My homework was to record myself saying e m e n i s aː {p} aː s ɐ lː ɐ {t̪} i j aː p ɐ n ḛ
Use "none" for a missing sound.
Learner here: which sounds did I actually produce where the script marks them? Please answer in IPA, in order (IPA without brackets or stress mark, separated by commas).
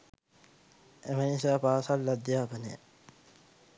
p, d̪